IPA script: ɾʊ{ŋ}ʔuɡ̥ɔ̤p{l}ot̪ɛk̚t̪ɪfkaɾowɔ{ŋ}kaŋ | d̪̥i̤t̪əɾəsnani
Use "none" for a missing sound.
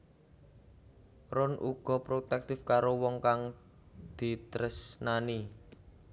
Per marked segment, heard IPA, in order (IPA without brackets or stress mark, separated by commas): n, ɾ, ŋ